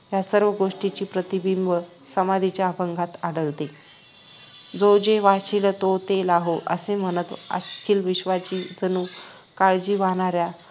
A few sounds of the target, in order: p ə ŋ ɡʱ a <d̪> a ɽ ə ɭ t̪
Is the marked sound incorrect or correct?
incorrect